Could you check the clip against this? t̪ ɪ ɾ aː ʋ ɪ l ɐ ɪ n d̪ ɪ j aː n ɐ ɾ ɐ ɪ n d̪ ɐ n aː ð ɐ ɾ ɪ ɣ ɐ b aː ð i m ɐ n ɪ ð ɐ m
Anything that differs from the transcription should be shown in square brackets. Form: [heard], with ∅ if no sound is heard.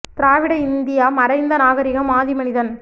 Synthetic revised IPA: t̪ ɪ ɾ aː ʋ ɪ [ɽ] ɐ ɪ n d̪ ɪ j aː [m] ɐ ɾ ɐ ɪ n d̪ ɐ n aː [ɣ] ɐ ɾ ɪ ɣ ɐ [m] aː ð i m ɐ n ɪ ð ɐ [n]